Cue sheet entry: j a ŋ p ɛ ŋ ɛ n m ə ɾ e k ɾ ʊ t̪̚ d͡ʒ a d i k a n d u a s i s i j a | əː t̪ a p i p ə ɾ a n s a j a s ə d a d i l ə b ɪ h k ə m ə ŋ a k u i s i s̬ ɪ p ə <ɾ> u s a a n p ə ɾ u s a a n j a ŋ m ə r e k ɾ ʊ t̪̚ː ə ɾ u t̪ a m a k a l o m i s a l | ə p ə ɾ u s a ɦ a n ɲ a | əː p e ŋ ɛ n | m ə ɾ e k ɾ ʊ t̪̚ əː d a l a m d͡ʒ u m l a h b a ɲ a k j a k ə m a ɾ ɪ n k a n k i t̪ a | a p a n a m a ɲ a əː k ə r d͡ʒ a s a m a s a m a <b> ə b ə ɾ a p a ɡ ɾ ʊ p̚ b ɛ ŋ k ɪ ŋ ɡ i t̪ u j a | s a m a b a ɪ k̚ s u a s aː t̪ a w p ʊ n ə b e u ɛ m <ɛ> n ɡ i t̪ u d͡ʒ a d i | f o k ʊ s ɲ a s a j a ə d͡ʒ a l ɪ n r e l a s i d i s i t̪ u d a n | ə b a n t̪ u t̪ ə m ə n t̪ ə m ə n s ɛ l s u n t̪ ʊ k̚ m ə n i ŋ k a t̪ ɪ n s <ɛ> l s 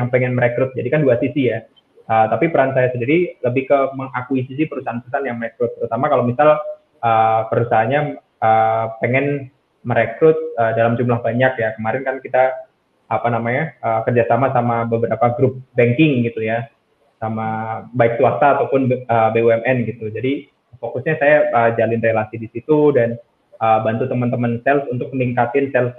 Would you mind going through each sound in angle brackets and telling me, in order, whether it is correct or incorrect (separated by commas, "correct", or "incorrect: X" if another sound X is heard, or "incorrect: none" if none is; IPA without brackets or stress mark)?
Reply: correct, correct, correct, correct